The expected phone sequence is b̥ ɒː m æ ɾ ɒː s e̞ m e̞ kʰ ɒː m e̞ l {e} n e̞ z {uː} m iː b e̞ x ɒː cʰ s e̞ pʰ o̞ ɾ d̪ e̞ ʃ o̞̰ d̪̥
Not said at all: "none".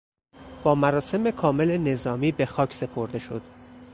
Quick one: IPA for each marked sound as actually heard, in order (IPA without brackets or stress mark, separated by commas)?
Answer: e, ɒː